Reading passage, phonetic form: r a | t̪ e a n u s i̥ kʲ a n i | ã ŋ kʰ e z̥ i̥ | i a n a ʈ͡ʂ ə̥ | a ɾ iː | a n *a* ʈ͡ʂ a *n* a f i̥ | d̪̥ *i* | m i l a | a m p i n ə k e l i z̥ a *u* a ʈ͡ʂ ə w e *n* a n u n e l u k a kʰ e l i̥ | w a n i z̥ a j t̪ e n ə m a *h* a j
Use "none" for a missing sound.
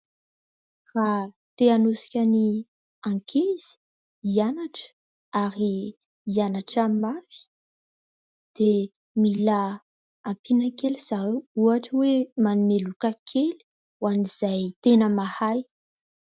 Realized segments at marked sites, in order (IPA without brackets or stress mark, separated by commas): a, m, e, u, m, h